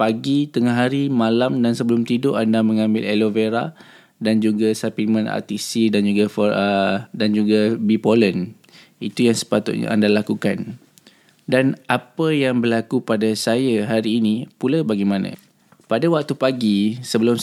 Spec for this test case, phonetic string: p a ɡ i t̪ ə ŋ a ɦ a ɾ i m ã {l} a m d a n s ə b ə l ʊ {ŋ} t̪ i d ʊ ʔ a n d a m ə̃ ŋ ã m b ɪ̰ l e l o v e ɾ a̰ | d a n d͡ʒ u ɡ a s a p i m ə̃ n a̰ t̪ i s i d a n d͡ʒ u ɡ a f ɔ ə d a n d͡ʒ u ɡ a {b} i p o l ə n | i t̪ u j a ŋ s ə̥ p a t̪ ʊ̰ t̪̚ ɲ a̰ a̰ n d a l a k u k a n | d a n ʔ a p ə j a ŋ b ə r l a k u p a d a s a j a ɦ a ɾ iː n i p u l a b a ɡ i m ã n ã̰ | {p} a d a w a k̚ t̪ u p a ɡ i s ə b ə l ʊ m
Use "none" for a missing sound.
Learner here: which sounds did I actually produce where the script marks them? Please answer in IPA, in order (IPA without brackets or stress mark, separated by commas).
l, m, b, p